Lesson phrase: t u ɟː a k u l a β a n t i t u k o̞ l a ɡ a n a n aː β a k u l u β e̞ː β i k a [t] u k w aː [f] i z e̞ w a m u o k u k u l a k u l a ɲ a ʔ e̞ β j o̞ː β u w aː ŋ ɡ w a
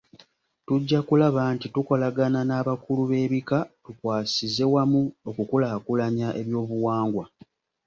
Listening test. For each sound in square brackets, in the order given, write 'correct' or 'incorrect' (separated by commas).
correct, incorrect